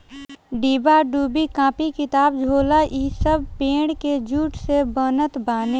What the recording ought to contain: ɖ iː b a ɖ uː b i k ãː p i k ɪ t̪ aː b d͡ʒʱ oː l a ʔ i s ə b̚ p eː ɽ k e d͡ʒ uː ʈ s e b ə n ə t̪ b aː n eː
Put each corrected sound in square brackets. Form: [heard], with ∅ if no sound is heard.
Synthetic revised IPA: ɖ iː b a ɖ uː b i k ãː p i k ɪ t̪ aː b d͡ʒʱ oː l a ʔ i s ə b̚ p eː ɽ k e d͡ʒ uː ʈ s e b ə n ə t̪ b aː n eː